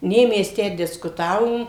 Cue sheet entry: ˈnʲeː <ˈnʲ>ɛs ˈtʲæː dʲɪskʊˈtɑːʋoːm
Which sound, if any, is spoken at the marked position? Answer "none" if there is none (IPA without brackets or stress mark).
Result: mʲ